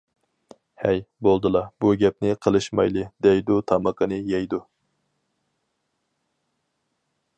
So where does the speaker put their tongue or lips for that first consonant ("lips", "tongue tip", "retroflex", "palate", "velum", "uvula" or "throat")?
throat